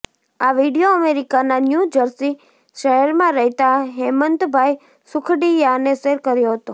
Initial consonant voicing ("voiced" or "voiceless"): voiced